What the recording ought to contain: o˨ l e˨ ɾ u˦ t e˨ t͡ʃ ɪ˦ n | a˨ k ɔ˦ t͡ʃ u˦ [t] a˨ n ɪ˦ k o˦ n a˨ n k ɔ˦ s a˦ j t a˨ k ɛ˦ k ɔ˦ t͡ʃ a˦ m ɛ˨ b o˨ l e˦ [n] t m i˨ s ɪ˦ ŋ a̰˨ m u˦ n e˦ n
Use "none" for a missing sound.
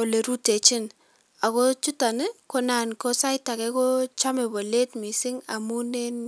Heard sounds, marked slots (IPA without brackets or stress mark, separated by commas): t, none